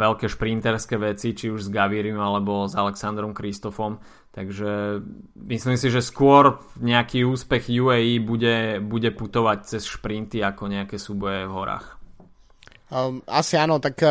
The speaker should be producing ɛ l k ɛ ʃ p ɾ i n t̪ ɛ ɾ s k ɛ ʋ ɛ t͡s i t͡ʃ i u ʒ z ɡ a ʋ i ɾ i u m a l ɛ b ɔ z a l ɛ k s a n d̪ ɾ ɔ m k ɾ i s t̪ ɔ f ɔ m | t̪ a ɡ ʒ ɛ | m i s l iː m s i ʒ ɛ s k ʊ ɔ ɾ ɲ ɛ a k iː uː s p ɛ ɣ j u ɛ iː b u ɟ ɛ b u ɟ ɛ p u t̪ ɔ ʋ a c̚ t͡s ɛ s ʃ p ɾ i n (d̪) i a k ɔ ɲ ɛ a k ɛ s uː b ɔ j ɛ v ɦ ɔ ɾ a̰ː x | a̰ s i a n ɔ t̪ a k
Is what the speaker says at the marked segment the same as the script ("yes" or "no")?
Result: no